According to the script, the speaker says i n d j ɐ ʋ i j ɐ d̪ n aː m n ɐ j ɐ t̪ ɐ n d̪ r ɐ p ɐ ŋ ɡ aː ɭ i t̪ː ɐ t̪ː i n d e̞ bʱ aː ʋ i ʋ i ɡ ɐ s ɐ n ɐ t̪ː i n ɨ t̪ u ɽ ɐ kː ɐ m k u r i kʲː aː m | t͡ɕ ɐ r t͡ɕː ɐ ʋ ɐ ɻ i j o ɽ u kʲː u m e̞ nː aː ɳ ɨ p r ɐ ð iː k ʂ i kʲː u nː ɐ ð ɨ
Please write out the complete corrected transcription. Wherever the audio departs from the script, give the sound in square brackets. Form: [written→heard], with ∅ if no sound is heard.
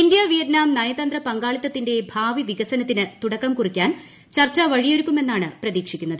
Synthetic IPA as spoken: i n d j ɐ ʋ i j ɐ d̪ n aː m n ɐ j ɐ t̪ ɐ n d̪ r ɐ p ɐ ŋ ɡ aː ɭ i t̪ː ɐ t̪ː i n d e̞ bʱ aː ʋ i ʋ i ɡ ɐ s ɐ n ɐ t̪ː i n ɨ t̪ u ɽ ɐ kː ɐ m k u r i kʲː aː [m→n] | t͡ɕ ɐ r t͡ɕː ɐ ʋ ɐ ɻ i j o [ɽ→ɾ] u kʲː u m e̞ nː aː ɳ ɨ p r ɐ ð iː k ʂ i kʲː u nː ɐ ð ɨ